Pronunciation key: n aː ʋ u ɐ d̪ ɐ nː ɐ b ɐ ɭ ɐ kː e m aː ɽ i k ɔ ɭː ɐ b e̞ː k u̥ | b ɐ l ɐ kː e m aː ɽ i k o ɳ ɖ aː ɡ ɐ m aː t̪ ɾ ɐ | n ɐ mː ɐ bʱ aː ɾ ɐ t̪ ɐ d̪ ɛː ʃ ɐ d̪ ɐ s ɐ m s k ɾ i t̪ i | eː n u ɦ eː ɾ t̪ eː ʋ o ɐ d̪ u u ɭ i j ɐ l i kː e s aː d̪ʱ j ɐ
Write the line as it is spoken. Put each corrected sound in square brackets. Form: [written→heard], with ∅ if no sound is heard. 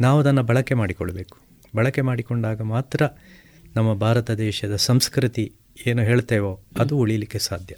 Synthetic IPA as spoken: n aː ʋ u ɐ d̪ ɐ nː ɐ b ɐ ɭ ɐ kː e m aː ɽ i k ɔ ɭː ɐ b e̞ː k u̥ | b ɐ [l→ɭ] ɐ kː e m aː ɽ i k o ɳ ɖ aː ɡ ɐ m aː t̪ ɾ ɐ | n ɐ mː ɐ bʱ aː ɾ ɐ t̪ ɐ d̪ ɛː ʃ ɐ d̪ ɐ s ɐ m s k ɾ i t̪ i | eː n u ɦ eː [ɾ→ɭ] t̪ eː ʋ o ɐ d̪ u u ɭ i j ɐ l i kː e s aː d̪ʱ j ɐ